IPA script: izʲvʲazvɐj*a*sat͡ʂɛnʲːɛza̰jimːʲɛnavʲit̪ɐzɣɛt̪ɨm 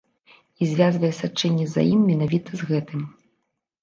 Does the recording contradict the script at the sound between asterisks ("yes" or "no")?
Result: yes